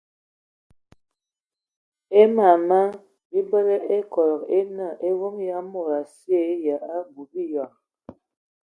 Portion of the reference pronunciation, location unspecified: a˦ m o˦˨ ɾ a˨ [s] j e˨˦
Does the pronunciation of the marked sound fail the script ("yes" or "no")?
no